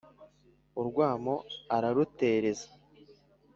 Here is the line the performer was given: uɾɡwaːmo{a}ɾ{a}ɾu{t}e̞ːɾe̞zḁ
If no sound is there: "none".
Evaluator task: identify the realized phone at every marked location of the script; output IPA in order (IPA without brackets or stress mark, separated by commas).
a, a, t